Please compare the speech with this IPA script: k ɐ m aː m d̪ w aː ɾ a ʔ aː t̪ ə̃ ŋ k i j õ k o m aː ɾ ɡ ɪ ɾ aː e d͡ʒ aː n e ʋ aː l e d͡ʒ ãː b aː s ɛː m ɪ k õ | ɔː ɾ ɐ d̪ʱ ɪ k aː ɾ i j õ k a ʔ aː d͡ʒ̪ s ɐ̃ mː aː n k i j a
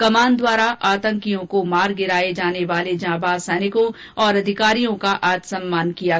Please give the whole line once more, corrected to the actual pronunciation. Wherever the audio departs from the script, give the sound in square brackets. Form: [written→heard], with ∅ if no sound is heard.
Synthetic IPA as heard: k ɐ m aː [m→n] d̪ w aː ɾ a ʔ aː t̪ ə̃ ŋ k i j õ k o m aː ɾ ɡ ɪ ɾ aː e d͡ʒ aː n e ʋ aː l e d͡ʒ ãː b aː s ɛː [m→n] ɪ k õ | ɔː ɾ ɐ d̪ʱ ɪ k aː ɾ i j õ k a ʔ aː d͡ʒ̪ s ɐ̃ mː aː n k i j a